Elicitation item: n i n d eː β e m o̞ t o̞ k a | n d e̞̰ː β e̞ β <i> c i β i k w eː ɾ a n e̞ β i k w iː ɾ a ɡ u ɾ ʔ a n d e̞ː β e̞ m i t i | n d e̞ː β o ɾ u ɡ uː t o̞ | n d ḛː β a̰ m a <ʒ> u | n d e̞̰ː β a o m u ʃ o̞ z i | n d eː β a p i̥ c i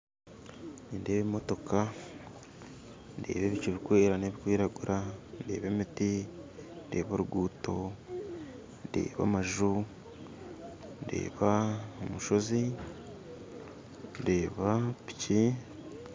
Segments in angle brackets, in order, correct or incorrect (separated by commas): correct, correct